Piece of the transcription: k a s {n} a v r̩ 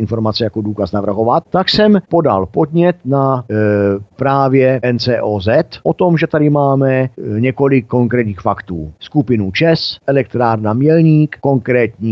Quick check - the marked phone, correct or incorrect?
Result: correct